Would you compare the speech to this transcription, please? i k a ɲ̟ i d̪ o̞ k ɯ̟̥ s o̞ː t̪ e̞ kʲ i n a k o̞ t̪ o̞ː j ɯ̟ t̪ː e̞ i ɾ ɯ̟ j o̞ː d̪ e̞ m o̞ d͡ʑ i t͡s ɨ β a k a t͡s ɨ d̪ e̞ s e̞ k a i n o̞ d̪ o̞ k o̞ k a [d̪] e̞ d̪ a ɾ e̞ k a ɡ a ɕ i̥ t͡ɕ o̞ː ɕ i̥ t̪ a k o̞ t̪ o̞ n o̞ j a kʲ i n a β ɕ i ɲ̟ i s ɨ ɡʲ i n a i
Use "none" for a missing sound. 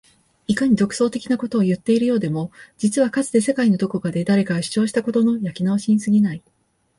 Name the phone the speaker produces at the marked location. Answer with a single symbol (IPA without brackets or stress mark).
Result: d̪